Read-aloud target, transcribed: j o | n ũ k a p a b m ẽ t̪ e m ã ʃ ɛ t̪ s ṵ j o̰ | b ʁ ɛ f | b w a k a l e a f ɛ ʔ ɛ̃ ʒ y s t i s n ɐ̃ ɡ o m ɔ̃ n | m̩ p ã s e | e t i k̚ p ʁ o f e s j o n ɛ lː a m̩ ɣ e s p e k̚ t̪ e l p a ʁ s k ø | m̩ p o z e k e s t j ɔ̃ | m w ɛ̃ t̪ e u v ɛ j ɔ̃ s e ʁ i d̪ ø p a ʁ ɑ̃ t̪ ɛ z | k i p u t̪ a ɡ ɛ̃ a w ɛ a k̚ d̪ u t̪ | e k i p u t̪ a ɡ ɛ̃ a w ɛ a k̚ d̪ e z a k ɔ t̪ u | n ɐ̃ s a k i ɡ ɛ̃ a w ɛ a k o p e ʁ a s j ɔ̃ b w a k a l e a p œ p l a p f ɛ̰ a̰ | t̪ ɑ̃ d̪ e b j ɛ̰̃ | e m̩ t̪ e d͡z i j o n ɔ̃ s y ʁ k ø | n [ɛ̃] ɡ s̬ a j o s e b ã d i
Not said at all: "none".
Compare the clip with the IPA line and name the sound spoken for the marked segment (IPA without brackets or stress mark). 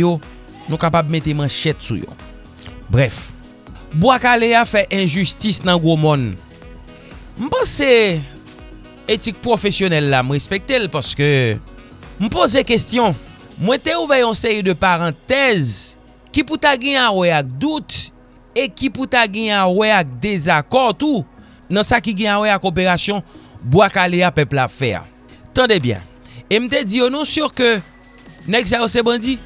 ɛ